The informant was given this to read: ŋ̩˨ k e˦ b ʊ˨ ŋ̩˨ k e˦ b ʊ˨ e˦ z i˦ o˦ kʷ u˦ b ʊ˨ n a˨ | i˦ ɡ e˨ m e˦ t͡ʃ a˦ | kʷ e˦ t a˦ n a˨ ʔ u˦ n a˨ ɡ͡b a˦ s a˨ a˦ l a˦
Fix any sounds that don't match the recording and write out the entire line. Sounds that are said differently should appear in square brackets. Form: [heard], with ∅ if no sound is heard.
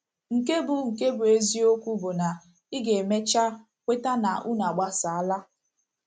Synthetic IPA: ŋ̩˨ k e˦ b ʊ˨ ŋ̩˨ k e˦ b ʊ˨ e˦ z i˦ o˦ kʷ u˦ b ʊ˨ n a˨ | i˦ ɡ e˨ m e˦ t͡ʃ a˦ | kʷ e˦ t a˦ n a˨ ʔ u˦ n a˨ ɡ͡b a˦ s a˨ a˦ l a˦